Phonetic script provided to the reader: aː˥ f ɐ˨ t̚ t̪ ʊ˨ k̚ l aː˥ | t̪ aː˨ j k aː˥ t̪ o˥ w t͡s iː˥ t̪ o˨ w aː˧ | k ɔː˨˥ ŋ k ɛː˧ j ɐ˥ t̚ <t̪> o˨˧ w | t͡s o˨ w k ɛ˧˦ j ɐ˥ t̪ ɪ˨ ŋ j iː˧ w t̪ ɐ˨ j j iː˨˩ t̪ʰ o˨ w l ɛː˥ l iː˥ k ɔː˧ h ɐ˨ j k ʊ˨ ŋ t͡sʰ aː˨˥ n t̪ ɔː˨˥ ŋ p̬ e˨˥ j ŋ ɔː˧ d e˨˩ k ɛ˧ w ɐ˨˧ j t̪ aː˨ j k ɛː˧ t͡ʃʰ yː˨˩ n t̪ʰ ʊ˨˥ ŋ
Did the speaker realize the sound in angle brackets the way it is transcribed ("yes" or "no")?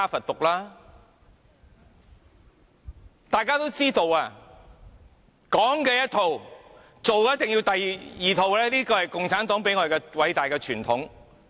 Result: no